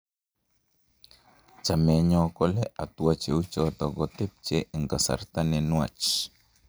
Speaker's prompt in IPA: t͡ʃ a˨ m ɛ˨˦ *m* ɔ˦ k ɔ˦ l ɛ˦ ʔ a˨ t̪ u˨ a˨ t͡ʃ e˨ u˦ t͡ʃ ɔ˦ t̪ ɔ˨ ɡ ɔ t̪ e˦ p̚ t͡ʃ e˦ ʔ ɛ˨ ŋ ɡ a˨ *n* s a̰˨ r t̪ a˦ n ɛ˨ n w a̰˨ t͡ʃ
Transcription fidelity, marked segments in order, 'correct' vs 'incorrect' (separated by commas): incorrect, incorrect